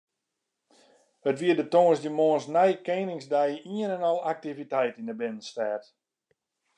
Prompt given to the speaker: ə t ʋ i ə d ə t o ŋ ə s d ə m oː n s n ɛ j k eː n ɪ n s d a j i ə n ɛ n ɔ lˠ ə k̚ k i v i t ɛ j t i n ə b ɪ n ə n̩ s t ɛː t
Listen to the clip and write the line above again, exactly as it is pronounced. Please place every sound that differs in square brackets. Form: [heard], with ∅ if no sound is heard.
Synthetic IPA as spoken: ə t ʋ i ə d ə t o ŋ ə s d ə m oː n s n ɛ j k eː n ɪ [ŋ] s d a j i ə n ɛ n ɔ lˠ [a] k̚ [t] i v i t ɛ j t i n ə b ɪ n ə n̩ s t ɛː t